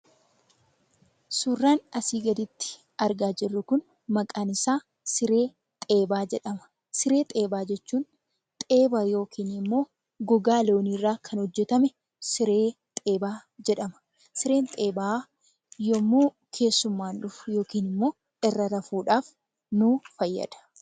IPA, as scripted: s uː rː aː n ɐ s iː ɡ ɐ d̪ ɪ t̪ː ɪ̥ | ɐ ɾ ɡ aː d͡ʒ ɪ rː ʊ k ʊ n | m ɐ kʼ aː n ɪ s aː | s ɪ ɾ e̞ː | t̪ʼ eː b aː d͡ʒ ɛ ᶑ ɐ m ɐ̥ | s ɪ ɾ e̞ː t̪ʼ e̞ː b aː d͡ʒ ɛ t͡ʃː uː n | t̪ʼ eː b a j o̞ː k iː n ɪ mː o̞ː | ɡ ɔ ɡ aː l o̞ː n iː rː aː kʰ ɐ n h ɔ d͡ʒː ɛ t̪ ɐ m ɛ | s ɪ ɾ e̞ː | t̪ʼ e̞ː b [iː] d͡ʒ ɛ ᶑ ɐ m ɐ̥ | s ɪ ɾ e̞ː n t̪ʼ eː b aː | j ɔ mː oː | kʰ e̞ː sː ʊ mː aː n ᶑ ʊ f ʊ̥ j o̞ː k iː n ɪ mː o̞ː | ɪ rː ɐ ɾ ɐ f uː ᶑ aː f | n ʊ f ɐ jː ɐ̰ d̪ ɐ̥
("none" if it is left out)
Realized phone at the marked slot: aː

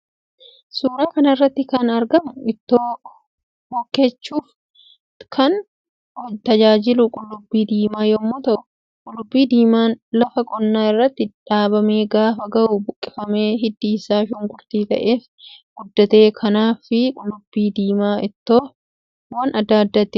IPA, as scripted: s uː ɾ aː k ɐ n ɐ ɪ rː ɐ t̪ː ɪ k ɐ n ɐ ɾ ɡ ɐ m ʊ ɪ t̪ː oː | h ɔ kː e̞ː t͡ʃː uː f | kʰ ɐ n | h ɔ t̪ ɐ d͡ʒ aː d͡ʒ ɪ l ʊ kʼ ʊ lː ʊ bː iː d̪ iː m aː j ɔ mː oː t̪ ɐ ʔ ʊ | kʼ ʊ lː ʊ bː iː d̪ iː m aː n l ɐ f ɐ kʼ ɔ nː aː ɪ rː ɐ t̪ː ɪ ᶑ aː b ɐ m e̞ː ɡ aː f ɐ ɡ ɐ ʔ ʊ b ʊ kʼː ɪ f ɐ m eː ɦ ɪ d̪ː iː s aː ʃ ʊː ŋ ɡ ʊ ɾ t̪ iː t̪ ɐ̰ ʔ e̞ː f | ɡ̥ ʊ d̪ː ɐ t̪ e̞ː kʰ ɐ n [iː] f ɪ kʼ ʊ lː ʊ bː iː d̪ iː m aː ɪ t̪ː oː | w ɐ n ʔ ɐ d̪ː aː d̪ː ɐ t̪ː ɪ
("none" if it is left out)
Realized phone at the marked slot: aː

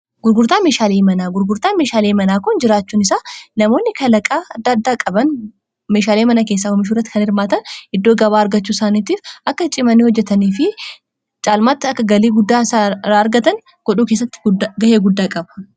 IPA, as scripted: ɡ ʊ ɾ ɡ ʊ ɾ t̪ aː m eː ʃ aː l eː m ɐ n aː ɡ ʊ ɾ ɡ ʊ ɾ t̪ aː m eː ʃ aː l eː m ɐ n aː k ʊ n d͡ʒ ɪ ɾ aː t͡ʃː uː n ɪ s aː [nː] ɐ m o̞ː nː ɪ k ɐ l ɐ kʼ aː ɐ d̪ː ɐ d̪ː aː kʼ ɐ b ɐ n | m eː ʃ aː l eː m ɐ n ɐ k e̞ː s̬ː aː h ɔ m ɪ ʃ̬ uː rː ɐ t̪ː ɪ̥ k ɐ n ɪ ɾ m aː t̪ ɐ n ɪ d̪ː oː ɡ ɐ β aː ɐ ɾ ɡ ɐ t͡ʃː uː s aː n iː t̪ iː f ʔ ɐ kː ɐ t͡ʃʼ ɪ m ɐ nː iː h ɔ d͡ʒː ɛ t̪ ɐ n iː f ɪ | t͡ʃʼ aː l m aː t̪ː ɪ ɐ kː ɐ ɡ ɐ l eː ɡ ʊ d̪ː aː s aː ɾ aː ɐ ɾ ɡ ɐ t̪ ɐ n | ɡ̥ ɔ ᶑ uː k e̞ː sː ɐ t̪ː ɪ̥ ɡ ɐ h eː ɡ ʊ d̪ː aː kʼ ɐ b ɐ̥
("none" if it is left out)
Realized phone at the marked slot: n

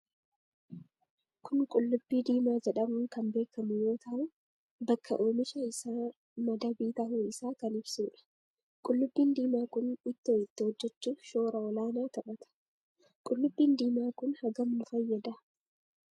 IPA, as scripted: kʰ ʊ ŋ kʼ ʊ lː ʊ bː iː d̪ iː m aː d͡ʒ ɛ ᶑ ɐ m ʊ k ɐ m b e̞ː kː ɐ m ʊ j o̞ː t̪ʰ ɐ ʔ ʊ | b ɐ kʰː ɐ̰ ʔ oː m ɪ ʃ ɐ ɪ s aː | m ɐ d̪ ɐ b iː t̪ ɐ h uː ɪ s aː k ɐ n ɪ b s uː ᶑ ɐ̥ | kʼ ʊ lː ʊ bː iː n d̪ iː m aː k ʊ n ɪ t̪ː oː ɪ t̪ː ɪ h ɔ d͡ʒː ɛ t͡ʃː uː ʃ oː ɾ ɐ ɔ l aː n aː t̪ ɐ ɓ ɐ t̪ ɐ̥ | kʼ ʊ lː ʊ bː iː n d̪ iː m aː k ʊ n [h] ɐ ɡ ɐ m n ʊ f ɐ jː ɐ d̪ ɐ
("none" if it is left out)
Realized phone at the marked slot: h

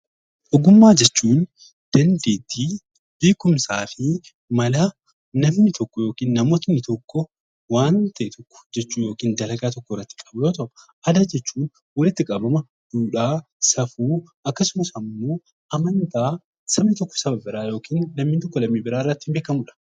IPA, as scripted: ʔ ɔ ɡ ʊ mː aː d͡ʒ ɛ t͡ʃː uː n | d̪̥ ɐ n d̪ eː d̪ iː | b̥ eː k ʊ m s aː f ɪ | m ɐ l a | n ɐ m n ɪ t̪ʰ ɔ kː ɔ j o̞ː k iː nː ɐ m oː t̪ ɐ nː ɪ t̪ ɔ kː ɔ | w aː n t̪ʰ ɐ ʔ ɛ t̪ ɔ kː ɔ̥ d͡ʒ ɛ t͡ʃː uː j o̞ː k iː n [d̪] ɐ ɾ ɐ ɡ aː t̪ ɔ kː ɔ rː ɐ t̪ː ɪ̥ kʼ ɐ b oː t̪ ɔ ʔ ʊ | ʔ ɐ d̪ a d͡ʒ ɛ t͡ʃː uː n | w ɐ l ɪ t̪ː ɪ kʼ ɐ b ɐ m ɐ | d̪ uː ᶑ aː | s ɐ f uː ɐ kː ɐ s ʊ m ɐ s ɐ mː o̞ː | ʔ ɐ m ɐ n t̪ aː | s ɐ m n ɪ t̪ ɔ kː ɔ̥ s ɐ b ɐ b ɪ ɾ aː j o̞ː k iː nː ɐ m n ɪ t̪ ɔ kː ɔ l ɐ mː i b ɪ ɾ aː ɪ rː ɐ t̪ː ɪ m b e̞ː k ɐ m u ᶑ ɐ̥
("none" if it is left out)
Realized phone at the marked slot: d̪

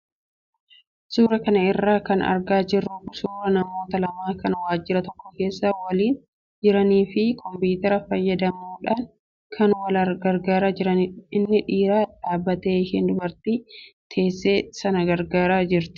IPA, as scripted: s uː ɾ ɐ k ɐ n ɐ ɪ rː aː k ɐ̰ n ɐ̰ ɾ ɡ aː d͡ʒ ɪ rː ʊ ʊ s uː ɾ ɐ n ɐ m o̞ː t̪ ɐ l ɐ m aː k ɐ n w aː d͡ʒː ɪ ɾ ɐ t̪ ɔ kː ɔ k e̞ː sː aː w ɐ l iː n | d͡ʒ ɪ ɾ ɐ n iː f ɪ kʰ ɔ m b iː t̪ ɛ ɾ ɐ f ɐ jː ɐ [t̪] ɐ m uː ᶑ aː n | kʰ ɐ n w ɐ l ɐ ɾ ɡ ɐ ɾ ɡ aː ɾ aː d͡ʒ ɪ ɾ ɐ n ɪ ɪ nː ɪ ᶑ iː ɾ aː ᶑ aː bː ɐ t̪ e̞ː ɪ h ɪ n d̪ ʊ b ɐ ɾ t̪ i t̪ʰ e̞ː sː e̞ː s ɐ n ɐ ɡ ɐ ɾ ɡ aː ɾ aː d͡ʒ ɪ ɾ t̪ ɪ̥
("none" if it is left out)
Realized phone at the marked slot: d̪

